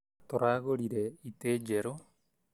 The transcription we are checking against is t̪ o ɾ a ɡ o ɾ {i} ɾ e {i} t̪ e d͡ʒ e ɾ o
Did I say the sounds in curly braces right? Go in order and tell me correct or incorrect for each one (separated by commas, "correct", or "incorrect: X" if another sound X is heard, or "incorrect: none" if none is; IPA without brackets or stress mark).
correct, correct